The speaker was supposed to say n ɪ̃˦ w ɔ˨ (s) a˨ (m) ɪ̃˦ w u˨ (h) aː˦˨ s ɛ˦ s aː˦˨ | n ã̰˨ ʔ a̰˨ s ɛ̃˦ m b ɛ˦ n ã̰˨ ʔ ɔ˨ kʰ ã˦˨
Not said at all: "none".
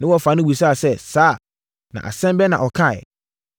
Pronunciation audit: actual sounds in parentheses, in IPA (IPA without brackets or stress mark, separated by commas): f, n, s